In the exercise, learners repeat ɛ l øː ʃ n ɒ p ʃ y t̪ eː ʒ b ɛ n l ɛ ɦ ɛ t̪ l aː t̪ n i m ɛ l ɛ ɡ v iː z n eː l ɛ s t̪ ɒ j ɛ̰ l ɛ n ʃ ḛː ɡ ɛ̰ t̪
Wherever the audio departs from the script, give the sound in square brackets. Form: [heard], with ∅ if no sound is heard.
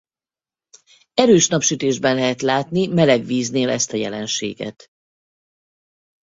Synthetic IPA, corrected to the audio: ɛ [ɾ] øː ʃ n ɒ p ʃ y t̪ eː ʒ b ɛ n l ɛ ɦ ɛ t̪ l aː t̪ n i m ɛ l ɛ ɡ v iː z n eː l ɛ s t̪ ɒ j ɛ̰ l ɛ n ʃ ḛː ɡ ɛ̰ t̪

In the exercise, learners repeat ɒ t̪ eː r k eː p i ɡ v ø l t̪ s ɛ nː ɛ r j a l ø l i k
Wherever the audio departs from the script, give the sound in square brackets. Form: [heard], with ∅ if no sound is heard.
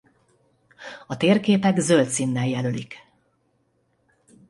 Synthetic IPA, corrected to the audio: ɒ t̪ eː r k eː p [ɛ] ɡ [z] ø l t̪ s [i] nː ɛ [l] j [ɛ] l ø l i k

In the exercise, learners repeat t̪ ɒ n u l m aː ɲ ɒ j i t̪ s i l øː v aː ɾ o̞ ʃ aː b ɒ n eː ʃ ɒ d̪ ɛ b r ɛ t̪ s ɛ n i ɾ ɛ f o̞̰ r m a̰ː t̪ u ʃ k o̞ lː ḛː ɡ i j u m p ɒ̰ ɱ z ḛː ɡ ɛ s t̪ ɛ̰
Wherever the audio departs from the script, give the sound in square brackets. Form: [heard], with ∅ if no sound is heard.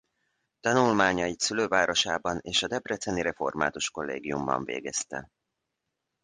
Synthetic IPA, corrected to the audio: t̪ ɒ n u l m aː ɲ ɒ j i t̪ s [y] l øː v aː ɾ o̞ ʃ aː b ɒ n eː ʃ ɒ d̪ ɛ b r ɛ t̪ s ɛ n i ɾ ɛ f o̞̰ r m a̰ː t̪ u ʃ k o̞ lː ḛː ɡ i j u m [b] ɒ̰ ɱ [v] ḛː ɡ ɛ s t̪ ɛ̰

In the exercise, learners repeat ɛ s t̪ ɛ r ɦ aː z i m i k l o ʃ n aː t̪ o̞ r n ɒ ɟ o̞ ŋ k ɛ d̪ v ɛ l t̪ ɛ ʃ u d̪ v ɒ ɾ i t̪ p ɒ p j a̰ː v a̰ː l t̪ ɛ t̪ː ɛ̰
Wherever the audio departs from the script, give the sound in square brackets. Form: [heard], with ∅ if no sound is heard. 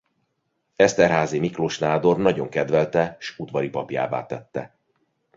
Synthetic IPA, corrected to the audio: ɛ s t̪ ɛ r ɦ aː z i m i k l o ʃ n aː [d̪] o̞ r n ɒ ɟ o̞ ŋ k ɛ d̪ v ɛ l t̪ ɛ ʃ u d̪ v ɒ ɾ i [∅] p ɒ p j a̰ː v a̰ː [∅] t̪ ɛ t̪ː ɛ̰

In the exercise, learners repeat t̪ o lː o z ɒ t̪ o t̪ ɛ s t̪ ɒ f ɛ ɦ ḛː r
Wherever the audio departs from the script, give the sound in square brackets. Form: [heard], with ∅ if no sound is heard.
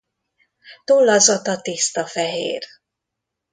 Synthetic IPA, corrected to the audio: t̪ o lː [ɒ] z ɒ t̪ [ɒ] t̪ [i] s t̪ ɒ f ɛ ɦ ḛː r

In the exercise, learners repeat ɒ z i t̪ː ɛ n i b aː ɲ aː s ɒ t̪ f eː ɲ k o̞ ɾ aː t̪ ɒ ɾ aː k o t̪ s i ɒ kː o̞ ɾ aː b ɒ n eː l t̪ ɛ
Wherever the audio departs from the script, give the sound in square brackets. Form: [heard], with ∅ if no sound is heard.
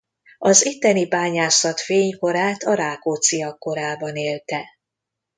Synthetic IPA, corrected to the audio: ɒ z i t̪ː ɛ n i b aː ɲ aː s ɒ t̪ f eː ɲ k o̞ ɾ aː t̪ ɒ ɾ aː k o t̪ s i ɒ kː o̞ ɾ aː b ɒ n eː l t̪ ɛ

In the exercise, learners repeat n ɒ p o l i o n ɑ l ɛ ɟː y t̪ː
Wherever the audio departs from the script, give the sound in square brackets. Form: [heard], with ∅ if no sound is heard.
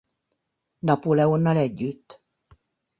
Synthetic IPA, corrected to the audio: n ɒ p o l [ɛ] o [nː] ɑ l ɛ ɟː y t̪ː

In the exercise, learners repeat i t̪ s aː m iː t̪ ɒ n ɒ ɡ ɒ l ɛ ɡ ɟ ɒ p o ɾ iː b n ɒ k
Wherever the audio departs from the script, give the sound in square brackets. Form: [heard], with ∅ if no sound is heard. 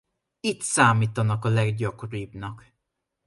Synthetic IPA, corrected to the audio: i t̪ s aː m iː t̪ ɒ n ɒ [k] ɒ l ɛ ɡ ɟ ɒ [k] o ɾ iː b n ɒ k

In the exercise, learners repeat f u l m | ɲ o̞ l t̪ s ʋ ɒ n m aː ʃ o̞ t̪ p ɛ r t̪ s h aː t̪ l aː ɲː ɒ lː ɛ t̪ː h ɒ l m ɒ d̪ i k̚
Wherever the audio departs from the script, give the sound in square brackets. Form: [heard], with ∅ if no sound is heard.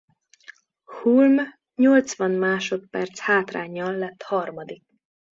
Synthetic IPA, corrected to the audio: [h] u l m | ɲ o̞ l t̪ s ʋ ɒ n m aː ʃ o̞ t̪ p ɛ r t̪ s h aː t̪ [r] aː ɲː ɒ lː ɛ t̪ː h ɒ [r] m ɒ d̪ i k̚

